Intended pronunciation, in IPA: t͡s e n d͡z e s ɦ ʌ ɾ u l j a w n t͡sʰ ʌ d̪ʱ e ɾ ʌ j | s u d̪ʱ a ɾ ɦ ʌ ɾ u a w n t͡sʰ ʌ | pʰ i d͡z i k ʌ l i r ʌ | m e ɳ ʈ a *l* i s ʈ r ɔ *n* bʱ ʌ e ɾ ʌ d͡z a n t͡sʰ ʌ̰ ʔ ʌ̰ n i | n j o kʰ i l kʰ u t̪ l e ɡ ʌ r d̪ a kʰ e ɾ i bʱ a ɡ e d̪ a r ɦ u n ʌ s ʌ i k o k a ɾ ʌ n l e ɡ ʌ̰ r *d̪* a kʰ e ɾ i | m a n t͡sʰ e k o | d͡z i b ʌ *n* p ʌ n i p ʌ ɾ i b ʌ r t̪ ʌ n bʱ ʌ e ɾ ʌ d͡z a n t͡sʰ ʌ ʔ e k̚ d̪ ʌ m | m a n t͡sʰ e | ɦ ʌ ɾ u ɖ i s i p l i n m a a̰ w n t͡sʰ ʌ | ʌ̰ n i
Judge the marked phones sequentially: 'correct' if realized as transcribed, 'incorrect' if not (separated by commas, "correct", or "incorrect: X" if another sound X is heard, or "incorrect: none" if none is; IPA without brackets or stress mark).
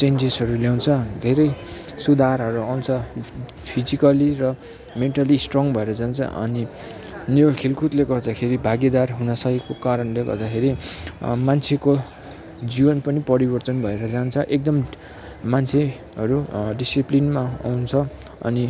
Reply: correct, incorrect: ŋ, correct, correct